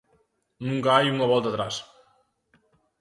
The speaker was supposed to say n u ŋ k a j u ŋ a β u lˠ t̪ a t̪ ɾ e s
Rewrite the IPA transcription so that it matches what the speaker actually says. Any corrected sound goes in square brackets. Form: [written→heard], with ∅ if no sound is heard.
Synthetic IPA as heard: n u ŋ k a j u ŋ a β [u→ɔ] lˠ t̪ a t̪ ɾ [e→a] s